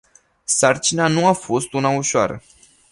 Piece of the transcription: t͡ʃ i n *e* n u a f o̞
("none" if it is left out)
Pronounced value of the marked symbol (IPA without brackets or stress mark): a